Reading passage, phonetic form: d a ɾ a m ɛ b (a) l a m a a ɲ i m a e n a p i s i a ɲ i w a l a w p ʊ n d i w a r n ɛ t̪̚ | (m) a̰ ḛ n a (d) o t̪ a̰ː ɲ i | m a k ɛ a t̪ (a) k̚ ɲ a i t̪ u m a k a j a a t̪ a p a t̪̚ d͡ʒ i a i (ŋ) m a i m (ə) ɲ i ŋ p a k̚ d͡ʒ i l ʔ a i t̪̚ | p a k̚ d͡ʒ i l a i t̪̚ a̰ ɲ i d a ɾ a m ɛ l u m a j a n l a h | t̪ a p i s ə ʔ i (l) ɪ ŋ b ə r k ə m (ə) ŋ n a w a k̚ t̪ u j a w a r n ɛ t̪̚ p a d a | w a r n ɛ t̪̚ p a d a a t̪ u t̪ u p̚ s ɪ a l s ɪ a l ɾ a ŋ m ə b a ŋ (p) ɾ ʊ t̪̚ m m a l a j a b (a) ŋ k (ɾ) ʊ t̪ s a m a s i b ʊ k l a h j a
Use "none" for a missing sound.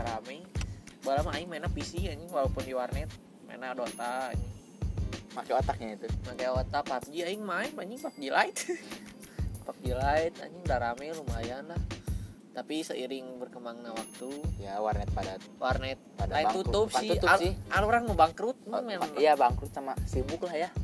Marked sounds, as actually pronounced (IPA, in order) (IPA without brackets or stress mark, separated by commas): a, m, d, a, ŋ, a, ɾ, a, k, a, ɾ